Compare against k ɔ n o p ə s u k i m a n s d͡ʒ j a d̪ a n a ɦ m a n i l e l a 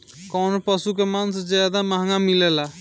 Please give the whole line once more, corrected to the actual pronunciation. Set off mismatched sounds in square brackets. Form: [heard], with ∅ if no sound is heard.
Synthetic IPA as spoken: k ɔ n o p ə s u k [e] m a n s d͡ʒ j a d̪ a [m] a ɦ [ŋ] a [m] i l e l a